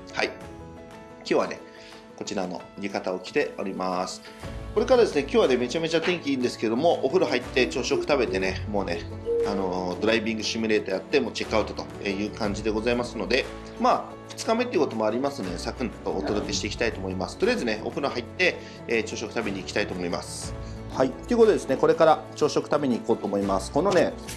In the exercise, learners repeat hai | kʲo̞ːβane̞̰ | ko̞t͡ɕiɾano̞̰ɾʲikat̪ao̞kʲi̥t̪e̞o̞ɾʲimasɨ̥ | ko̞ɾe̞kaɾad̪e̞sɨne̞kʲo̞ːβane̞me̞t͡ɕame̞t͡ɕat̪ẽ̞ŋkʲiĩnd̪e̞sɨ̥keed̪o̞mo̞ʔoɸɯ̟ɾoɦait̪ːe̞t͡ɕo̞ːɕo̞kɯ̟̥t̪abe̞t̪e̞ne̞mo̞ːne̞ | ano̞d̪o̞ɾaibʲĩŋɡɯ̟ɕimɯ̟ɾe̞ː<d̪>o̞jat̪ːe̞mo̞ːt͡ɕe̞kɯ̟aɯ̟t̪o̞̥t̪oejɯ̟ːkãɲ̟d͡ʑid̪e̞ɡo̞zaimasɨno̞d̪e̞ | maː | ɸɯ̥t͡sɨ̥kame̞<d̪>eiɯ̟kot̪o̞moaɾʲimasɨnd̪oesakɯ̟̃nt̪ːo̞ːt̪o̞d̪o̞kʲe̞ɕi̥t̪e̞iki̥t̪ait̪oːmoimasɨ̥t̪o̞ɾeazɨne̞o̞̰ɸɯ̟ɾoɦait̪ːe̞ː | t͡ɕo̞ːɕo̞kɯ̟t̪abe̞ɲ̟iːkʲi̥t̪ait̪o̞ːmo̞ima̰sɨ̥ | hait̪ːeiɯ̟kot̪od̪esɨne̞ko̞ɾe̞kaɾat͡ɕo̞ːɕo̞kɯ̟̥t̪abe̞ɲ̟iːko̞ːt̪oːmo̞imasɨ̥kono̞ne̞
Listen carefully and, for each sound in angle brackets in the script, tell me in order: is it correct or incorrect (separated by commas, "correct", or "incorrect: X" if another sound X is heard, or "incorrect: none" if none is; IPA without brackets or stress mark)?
incorrect: t̪, incorrect: t̪